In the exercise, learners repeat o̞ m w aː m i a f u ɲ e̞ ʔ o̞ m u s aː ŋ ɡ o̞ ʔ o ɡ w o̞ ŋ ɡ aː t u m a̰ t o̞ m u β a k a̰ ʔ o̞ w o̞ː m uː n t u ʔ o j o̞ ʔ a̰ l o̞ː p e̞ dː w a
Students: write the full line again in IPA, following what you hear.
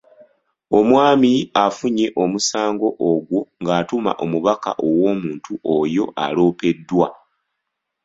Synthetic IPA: o̞ m w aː m i a f u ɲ e̞ ʔ o̞ m u s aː ŋ ɡ o̞ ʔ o ɡ w o̞ ŋ ɡ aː t u m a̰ ʔ o̞ m u β a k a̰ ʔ o̞ w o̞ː m uː n t u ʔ o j o̞ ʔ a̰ l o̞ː p e̞ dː w a